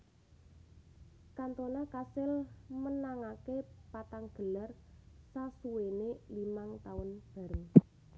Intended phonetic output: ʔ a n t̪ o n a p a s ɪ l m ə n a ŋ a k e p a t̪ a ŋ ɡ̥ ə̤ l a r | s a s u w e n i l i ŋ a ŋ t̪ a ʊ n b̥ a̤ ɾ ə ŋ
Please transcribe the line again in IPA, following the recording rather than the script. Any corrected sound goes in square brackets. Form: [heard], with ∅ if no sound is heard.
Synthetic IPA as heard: [k] a n t̪ o n a [k] a s ɪ l m ə n a ŋ a k e p a t̪ a ŋ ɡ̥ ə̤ l a r | s a s u w e n [e] l i [m] a ŋ t̪ a ʊ n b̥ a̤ ɾ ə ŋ